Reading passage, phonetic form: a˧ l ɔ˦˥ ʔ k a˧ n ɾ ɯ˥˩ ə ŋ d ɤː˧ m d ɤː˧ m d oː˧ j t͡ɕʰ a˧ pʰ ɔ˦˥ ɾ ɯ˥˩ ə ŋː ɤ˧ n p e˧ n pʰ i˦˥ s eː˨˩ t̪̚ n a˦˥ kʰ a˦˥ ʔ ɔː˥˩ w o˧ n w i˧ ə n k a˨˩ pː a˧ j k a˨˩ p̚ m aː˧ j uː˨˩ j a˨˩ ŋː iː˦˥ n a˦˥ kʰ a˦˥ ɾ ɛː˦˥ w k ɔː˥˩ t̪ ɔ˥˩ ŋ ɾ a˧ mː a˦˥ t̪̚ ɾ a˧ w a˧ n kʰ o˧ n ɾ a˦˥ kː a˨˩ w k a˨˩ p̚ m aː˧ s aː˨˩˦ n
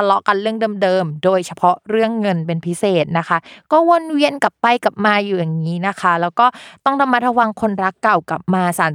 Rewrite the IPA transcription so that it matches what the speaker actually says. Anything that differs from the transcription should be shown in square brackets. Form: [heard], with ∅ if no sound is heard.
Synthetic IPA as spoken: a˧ l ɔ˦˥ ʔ k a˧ n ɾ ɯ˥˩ ə ŋ d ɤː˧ m d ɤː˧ m d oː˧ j t͡ɕʰ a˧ pʰ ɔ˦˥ ɾ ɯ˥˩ ə ŋː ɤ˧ n p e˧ n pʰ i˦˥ s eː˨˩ t̪̚ n a˦˥ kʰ a˦˥ [k] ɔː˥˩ w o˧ n w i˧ ə n k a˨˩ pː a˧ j k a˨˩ p̚ m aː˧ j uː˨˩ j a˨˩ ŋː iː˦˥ n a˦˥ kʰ a˦˥ [l] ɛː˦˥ w k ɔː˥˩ t̪ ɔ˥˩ ŋ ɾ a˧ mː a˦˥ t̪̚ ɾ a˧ w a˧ [ŋ] kʰ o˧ n ɾ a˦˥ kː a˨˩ w k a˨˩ p̚ m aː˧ s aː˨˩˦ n